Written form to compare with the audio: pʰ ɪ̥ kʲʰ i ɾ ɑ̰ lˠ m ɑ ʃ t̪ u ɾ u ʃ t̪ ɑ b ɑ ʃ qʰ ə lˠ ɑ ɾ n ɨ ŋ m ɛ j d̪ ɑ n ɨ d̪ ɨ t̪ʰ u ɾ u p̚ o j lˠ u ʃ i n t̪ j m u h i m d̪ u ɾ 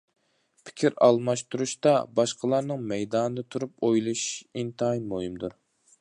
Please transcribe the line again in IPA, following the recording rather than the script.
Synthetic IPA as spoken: pʰ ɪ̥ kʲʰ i ɾ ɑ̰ lˠ m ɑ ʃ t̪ u ɾ u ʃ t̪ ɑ b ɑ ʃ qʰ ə lˠ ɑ ɾ n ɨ ŋ m ɛ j d̪ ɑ n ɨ d̪ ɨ t̪ʰ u ɾ u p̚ o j lˠ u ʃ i n t̪ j m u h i m d̪ u ɾ